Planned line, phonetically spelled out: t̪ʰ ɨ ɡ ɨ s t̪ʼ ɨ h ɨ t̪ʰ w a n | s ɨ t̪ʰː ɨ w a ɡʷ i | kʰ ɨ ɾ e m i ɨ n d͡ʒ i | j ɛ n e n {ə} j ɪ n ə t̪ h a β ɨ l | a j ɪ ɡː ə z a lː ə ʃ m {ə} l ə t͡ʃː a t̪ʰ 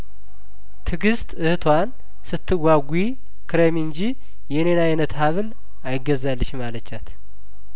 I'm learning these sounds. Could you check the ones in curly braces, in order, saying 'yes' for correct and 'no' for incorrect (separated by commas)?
no, no